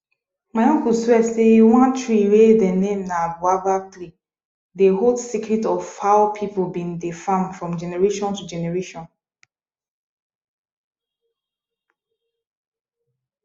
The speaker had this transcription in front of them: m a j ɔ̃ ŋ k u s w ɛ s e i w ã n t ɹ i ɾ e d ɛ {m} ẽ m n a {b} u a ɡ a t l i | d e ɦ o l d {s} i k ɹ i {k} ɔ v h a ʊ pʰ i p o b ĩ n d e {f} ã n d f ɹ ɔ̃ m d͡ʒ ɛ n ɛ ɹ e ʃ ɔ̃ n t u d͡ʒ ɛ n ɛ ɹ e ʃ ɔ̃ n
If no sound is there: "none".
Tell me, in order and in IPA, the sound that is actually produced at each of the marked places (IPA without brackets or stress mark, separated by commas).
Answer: n, b, s, t, f